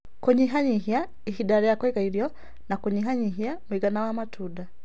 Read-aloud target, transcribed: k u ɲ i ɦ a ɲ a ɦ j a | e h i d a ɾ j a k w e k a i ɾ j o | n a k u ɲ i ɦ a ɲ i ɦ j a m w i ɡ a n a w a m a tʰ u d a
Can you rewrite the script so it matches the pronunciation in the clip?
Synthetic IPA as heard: k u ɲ i ɦ a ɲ i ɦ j a | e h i d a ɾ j a k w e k a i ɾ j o | n a k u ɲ i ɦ a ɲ i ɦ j a m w i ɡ a n a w a m a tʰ u d a